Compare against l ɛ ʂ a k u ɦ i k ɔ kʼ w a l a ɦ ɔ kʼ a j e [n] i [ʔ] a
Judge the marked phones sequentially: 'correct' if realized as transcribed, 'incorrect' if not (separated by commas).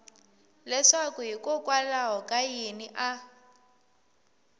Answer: correct, correct